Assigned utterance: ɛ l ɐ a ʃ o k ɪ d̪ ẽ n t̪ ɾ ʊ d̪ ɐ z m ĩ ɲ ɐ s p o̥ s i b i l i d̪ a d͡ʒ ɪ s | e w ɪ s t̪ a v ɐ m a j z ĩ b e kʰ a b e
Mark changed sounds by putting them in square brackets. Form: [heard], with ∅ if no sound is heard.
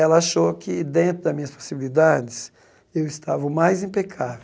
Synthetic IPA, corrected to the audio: ɛ l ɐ a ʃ o k ɪ d̪ ẽ n t̪ ɾ ʊ d̪ ɐ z m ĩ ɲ ɐ s p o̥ s i b i l i d̪ a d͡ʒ ɪ s | e w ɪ s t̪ a v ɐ m a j z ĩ [p] e kʰ a [v] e